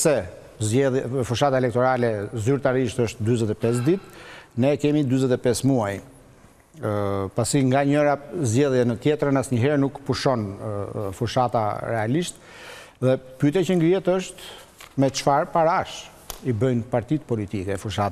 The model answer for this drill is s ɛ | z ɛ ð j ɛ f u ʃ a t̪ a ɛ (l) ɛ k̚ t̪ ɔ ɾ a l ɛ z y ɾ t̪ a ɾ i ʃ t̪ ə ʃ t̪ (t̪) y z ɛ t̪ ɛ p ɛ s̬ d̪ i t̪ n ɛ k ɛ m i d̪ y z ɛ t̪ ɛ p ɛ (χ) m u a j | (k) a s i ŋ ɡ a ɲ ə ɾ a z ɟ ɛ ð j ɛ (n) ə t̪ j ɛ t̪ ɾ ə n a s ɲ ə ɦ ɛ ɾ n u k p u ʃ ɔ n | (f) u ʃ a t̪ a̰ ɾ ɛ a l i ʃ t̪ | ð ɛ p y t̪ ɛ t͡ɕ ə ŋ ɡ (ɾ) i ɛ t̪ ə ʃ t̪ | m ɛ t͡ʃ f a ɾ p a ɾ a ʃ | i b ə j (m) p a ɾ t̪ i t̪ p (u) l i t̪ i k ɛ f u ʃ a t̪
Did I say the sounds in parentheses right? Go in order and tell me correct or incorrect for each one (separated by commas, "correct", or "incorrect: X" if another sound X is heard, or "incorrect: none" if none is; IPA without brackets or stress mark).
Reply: correct, incorrect: d̪, incorrect: s, incorrect: p, correct, correct, correct, incorrect: n, incorrect: ɔ